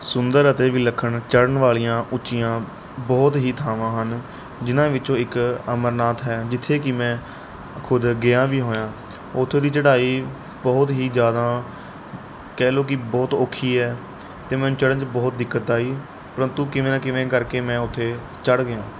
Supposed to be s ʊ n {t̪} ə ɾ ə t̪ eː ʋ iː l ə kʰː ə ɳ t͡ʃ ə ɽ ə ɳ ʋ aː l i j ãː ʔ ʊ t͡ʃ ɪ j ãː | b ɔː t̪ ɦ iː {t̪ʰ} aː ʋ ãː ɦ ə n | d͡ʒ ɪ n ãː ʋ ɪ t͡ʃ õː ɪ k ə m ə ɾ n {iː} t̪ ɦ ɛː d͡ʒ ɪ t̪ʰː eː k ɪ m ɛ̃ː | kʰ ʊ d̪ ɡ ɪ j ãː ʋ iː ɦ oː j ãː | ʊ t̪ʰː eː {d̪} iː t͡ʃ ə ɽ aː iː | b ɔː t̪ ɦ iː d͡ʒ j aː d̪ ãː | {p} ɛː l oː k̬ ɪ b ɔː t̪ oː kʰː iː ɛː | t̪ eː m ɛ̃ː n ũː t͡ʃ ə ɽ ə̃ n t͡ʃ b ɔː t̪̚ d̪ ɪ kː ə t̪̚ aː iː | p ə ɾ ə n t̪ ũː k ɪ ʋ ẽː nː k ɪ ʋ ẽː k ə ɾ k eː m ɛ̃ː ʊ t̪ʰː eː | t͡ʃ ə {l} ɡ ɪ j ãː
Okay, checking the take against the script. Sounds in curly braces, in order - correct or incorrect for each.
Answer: incorrect: d̪, correct, incorrect: aː, correct, incorrect: k, incorrect: ɽ

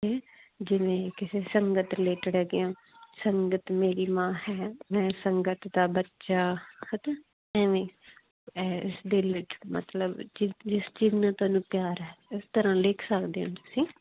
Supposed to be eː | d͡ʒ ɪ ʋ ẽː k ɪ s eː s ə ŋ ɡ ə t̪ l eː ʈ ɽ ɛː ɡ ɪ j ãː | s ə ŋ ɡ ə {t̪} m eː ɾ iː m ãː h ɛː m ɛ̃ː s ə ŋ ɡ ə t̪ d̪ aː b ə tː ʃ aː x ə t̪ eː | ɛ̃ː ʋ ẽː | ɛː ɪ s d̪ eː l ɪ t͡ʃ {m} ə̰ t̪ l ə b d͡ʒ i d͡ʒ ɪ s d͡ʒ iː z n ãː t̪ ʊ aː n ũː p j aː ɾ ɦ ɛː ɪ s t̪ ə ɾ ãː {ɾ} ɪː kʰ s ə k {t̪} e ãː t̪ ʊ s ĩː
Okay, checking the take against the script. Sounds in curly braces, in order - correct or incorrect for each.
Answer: correct, correct, incorrect: l, incorrect: d̪

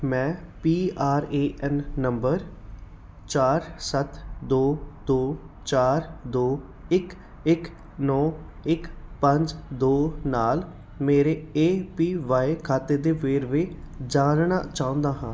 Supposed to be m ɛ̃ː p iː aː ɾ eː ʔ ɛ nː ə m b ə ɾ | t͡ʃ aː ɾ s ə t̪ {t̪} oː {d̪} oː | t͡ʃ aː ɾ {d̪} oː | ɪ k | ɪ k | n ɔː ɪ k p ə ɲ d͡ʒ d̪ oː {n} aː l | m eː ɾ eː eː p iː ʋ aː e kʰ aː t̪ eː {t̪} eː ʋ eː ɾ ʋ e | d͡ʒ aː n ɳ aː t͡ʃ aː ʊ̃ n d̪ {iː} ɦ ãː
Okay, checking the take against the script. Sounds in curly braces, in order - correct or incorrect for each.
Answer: incorrect: d̪, correct, correct, correct, incorrect: d̪, incorrect: aː

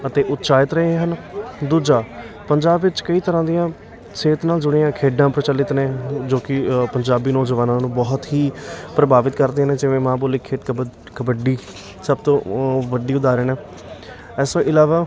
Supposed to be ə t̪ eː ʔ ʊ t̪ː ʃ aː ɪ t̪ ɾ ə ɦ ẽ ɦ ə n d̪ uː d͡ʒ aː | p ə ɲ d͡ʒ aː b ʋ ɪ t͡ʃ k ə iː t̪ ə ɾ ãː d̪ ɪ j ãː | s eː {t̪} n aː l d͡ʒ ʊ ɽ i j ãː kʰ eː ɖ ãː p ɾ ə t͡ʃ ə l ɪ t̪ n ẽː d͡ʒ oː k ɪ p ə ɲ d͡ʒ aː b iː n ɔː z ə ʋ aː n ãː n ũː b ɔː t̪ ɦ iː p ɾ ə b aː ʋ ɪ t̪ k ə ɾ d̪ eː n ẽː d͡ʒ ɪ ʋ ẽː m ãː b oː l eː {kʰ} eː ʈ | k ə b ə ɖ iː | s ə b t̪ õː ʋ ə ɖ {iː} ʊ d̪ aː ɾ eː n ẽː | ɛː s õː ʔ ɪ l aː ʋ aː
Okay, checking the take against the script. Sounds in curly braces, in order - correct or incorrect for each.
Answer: correct, correct, correct

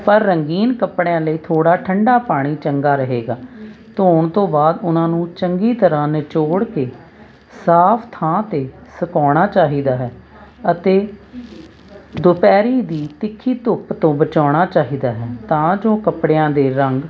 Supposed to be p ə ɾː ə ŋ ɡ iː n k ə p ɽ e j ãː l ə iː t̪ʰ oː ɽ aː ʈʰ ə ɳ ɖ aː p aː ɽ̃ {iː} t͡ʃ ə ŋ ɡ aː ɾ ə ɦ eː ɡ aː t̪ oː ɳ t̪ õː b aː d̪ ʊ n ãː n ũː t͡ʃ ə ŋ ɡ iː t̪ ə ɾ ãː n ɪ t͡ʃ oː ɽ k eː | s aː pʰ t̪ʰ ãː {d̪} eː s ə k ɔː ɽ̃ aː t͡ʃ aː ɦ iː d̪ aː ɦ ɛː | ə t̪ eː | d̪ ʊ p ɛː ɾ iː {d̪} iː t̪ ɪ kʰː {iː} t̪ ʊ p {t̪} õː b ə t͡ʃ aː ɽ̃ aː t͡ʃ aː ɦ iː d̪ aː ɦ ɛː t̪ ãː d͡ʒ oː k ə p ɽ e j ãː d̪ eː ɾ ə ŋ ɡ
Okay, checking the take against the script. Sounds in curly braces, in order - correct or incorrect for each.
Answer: correct, incorrect: t̪, correct, correct, correct

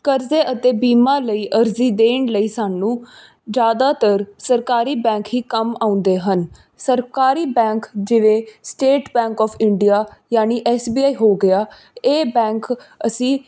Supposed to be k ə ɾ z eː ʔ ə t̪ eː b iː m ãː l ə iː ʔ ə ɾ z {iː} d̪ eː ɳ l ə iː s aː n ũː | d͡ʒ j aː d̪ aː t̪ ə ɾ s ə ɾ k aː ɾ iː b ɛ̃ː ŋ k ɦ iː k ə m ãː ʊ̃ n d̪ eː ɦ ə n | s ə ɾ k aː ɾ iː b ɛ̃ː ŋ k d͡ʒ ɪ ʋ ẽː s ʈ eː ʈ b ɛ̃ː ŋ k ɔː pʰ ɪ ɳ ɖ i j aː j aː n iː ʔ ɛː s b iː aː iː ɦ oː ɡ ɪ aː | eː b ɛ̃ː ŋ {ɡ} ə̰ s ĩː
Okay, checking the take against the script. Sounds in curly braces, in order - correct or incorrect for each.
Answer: correct, incorrect: k

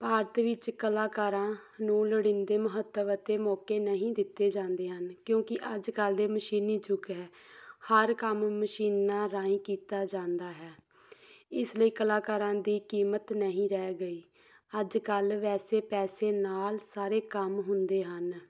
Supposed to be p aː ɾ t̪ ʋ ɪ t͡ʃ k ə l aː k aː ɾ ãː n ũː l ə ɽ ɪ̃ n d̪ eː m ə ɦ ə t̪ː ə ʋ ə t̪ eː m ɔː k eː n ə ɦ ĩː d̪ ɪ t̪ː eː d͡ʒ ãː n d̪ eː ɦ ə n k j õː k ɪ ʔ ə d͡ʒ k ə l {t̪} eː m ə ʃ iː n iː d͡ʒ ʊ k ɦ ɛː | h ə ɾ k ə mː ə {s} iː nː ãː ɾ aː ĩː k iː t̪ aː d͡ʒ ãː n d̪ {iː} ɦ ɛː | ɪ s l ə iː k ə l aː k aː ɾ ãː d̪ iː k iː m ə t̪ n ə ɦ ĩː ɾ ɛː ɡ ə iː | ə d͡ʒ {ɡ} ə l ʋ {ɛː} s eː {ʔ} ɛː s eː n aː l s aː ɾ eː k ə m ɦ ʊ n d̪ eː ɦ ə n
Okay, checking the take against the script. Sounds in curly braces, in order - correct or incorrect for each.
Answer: incorrect: d̪, incorrect: ʃ, incorrect: aː, incorrect: k, correct, incorrect: p

